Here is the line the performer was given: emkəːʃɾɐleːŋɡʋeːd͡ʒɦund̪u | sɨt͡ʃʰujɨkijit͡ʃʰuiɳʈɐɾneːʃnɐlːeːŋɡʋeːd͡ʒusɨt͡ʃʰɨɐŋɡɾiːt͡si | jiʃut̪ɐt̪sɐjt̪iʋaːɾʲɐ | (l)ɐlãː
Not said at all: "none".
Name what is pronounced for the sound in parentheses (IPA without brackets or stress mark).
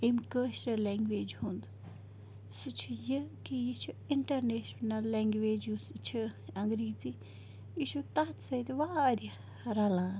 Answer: ɾ